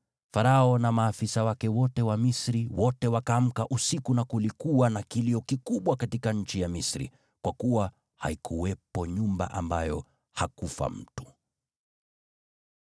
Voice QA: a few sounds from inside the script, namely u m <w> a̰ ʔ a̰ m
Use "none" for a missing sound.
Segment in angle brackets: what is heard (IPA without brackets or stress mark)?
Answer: b